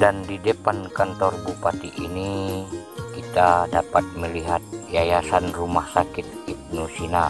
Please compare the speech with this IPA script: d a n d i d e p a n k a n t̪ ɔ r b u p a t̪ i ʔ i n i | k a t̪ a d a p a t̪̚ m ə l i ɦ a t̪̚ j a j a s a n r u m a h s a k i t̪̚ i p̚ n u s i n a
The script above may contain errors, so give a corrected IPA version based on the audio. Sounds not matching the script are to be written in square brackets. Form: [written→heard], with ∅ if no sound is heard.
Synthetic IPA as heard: d a n d i d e p a n k a n t̪ ɔ r b u p a t̪ i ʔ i n i | k [a→i] t̪ a d a p a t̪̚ m ə l i ɦ a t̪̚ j a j a s a n r u m a h s a k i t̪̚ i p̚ n u s i n a